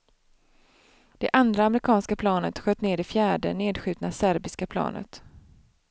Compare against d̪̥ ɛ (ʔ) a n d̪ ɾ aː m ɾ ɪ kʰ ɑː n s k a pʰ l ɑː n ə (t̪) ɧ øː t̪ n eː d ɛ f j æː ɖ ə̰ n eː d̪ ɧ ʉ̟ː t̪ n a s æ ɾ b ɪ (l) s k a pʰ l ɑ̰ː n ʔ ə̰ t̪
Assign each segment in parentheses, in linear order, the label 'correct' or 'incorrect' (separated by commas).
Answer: correct, correct, incorrect